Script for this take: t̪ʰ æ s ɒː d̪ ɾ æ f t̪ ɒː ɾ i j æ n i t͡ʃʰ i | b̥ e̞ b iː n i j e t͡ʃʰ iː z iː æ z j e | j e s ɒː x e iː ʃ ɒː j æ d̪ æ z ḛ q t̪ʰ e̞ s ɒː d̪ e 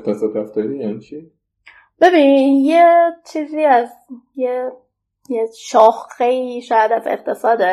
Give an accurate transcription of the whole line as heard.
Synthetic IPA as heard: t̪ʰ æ s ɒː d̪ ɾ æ f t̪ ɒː ɾ i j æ n i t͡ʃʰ i | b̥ e̞ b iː n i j e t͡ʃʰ iː z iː æ z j e | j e ʃ ɒː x e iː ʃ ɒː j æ d̪ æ z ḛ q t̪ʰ e̞ s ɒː d̪ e